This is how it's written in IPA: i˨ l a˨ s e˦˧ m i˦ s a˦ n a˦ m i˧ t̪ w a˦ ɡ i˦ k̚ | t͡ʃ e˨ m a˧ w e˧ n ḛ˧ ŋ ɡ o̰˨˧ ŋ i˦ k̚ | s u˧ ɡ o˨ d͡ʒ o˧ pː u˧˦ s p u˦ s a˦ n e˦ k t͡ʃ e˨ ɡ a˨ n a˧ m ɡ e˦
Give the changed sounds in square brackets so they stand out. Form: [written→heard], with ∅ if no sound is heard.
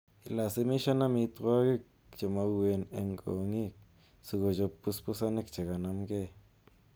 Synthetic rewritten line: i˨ l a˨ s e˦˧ m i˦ [s→ʃ] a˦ n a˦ m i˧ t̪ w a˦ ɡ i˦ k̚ | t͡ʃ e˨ m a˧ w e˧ n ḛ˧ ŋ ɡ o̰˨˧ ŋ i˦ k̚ | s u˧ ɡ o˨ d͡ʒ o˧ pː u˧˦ s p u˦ s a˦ n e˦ k t͡ʃ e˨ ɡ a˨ n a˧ m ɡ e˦